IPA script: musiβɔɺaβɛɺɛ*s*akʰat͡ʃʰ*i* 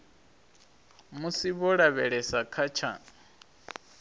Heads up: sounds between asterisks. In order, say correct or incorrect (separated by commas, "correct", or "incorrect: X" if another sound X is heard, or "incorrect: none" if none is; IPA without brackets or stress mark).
correct, incorrect: a